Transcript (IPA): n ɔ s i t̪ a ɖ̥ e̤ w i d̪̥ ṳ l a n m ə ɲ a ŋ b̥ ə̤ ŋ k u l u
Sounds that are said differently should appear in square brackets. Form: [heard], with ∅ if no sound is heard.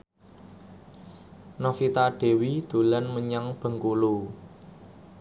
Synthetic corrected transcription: n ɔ [f] i t̪ a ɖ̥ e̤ w i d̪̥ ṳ l a n m ə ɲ a ŋ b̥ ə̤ ŋ k u l u